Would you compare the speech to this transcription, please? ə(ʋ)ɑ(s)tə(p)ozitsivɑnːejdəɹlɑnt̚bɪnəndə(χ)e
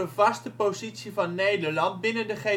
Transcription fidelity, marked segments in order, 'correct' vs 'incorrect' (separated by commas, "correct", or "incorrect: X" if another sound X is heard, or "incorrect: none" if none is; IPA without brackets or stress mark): incorrect: v, correct, correct, correct